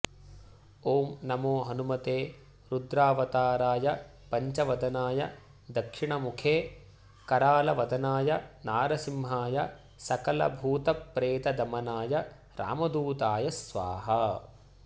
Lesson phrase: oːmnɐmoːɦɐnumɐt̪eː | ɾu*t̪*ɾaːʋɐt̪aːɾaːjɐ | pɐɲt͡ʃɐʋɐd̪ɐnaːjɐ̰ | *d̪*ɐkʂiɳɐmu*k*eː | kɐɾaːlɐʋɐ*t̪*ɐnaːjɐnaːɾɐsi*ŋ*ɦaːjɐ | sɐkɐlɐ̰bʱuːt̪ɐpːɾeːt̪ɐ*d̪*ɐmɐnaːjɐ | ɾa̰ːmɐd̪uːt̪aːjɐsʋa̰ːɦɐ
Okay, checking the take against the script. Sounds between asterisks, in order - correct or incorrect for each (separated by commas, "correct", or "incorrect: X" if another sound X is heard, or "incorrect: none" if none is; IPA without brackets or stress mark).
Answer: incorrect: d̪, correct, incorrect: kʰ, incorrect: d̪, incorrect: m, correct